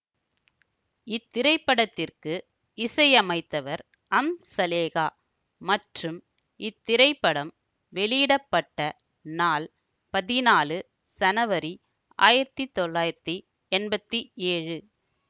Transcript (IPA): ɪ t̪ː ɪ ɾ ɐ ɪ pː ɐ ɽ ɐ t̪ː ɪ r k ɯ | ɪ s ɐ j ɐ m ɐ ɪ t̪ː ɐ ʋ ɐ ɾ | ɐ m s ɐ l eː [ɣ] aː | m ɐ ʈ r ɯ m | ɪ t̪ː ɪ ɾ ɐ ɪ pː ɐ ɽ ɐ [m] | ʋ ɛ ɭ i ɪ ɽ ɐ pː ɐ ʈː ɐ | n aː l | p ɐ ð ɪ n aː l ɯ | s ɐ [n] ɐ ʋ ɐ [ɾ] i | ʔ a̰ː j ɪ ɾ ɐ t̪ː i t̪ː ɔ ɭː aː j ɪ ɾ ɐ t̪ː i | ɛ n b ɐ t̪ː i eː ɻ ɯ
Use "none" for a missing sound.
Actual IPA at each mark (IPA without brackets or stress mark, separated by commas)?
ɣ, m, n, ɾ